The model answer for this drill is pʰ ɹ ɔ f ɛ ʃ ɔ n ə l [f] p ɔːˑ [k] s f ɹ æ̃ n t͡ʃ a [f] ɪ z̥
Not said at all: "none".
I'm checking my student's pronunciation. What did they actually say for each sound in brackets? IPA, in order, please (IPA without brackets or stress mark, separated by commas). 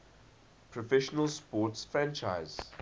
s, t, none